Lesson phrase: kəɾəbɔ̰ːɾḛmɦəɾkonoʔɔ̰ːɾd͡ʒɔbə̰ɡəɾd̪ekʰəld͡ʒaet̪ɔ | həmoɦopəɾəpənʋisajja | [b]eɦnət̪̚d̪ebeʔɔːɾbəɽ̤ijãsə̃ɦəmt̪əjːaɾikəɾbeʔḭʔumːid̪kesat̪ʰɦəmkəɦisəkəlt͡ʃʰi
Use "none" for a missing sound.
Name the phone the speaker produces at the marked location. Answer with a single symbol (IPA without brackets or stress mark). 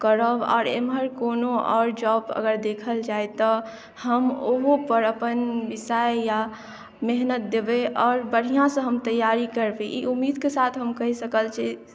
m